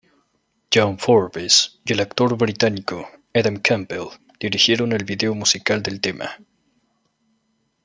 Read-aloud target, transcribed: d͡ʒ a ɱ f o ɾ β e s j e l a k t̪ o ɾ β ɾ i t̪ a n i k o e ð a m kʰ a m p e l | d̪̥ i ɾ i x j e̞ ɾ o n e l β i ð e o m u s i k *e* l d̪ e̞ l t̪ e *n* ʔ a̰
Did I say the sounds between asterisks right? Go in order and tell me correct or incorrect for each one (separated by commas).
incorrect, incorrect